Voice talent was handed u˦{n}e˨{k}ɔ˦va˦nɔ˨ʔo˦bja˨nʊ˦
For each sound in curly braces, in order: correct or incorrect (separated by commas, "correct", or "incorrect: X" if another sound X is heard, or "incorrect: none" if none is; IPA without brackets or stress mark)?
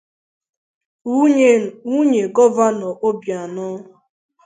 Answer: incorrect: ɲ, incorrect: ɡ